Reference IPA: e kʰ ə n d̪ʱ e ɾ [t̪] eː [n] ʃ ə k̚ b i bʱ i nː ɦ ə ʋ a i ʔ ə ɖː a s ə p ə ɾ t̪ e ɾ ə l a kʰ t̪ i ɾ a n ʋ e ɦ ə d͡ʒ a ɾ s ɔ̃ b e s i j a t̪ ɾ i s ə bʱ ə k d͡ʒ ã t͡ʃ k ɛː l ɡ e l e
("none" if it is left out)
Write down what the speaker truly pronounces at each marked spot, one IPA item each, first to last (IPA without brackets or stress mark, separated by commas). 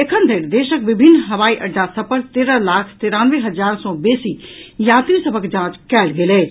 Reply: d̪, none